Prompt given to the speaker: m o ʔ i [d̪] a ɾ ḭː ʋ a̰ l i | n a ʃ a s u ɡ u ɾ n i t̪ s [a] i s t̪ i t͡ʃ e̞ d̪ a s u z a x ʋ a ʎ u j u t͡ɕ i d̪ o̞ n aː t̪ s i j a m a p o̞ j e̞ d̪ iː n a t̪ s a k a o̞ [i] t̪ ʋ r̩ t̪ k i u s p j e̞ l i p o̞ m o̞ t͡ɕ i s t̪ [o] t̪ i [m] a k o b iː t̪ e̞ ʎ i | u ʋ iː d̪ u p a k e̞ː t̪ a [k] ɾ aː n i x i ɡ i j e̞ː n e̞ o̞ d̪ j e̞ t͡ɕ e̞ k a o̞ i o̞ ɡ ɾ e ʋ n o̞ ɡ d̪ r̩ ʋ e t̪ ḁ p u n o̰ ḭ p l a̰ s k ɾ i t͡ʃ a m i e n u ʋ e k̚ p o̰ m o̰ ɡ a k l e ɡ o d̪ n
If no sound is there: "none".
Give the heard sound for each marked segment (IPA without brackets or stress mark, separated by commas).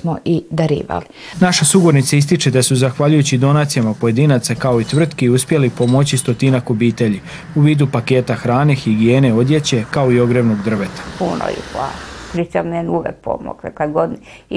d̪, a, i, o, n, x